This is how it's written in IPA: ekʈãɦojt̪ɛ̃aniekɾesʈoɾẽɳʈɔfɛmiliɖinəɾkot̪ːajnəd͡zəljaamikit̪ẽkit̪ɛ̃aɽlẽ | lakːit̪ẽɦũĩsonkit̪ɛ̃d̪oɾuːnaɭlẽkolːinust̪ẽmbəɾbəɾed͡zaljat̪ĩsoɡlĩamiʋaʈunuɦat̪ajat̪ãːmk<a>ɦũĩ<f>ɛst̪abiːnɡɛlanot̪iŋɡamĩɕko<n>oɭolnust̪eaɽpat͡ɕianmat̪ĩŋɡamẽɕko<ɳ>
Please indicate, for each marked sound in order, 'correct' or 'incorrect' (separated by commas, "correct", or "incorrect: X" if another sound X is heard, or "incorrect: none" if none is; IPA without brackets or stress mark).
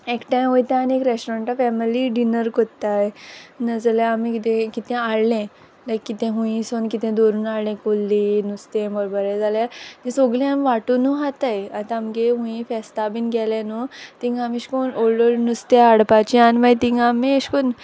incorrect: e, correct, correct, incorrect: n